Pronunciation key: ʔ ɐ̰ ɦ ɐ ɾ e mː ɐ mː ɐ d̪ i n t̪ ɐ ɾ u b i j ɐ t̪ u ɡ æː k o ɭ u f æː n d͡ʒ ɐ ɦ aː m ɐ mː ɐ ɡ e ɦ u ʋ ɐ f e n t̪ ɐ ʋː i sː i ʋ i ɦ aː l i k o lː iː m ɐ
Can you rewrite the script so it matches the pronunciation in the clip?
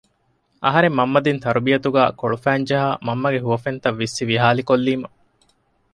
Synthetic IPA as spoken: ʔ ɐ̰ ɦ ɐ ɾ e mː ɐ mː ɐ d̪ i n t̪ ɐ ɾ u b i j ɐ t̪ u ɡ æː k o ɭ u f æː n d͡ʒ ɐ ɦ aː m ɐ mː ɐ ɡ e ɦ u ʋ ɐ f e n t̪ ɐ ʋː i sː i ʋ i ɦ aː l i k o lː iː m ɐ